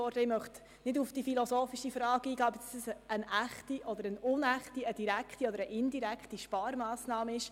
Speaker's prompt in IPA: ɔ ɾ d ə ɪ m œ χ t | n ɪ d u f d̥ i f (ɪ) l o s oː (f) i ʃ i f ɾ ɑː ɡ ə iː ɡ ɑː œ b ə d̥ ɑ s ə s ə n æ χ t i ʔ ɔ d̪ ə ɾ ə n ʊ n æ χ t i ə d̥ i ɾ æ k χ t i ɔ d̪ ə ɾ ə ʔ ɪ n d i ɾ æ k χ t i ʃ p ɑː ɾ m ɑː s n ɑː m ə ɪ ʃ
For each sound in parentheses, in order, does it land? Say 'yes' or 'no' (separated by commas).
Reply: no, yes